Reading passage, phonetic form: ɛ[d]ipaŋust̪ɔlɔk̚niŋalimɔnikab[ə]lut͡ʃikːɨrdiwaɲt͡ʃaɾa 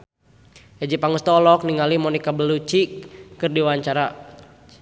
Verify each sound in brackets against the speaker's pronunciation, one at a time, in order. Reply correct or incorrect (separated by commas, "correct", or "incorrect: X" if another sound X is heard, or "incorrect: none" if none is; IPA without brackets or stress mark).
incorrect: d͡ʒ, correct